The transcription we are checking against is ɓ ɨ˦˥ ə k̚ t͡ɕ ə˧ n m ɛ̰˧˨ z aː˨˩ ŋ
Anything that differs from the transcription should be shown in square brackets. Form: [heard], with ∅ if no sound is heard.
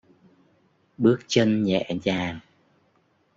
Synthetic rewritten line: ɓ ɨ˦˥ ə k̚ t͡ɕ ə˧ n [ɲ] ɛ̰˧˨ z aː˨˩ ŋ